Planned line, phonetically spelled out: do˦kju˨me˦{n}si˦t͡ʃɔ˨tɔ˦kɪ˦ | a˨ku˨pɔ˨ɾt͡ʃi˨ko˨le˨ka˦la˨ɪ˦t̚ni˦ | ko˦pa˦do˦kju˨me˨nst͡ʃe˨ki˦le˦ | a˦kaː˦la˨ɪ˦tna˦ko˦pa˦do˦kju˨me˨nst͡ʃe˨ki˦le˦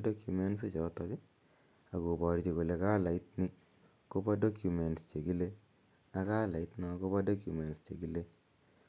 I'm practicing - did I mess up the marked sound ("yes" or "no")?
no